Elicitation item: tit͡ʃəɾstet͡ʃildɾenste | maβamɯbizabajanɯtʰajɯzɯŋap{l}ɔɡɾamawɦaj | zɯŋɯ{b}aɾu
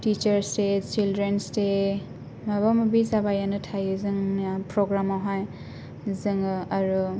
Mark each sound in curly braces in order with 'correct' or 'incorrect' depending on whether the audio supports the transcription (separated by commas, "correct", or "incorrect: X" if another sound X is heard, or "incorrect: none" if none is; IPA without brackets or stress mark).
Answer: incorrect: ɾ, incorrect: none